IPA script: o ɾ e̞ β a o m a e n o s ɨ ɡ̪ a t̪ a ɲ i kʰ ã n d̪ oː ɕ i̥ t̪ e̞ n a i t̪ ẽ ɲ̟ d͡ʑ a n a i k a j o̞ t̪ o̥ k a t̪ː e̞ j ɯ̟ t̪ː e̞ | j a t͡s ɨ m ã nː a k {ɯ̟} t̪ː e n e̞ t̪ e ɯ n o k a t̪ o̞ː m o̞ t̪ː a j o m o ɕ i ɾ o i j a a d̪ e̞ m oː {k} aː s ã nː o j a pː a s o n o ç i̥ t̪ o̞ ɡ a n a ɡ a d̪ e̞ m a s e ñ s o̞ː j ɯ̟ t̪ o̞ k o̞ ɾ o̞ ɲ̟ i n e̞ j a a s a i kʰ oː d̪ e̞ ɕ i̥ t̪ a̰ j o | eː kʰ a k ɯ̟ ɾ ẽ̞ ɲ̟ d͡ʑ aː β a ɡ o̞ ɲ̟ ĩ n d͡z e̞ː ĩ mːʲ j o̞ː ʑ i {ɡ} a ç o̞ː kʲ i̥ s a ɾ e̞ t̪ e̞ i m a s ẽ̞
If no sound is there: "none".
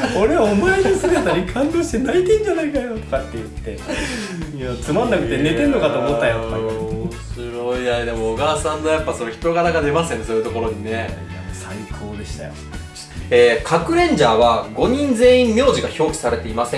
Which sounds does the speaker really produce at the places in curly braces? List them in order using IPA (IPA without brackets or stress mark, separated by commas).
ɯ̟, ɡ, ɡ